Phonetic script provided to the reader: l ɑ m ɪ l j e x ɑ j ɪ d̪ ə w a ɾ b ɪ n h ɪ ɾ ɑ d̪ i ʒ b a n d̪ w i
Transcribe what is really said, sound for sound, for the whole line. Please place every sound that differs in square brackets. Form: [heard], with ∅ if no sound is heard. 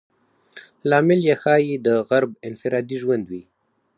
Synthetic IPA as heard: l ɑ m ɪ l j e x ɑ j [i] d̪ ə [ɣ] a ɾ b ɪ n [f] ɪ ɾ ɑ d̪ i ʒ [w] a n d̪ w i